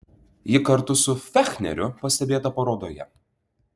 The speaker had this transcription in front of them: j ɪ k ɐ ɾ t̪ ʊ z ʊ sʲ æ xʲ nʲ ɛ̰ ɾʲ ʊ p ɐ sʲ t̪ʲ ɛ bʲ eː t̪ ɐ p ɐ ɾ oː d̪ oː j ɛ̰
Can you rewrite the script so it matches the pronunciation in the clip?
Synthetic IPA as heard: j ɪ k ɐ ɾ t̪ ʊ s ʊ fʲ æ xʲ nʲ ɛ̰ ɾʲ ʊ p ɐ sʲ t̪ʲ ɛ bʲ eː t̪ ɐ p ɐ ɾ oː d̪ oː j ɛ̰